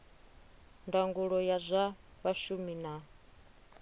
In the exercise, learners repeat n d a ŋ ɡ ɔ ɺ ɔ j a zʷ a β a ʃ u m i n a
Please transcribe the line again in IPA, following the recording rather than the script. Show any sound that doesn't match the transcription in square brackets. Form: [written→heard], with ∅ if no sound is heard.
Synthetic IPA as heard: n d a ŋ ɡ [ɔ→u] ɺ ɔ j a zʷ a β a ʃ u m i n a